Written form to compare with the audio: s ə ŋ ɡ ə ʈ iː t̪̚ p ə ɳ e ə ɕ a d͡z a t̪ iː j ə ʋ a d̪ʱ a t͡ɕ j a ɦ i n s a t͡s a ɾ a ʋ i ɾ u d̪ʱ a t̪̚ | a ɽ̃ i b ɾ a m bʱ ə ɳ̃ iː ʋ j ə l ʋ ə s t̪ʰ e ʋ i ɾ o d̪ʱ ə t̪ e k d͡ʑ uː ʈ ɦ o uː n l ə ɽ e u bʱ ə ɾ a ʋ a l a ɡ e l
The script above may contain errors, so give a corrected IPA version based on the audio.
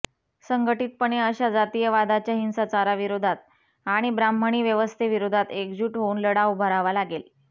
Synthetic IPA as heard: s ə ŋ ɡ ə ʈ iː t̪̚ p ə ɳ e ə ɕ a d͡z a t̪ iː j ə ʋ a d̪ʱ a t͡ɕ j a ɦ i n s a t͡s a ɾ a ʋ i ɾ o d̪ʱ a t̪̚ | a ɽ̃ i b ɾ a m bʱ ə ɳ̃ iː ʋ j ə ʋ ə s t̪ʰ e ʋ i ɾ o d̪ʱ a t̪ e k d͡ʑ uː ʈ ɦ o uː n l ə ɽ a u bʱ ə ɾ a ʋ a l a ɡ e l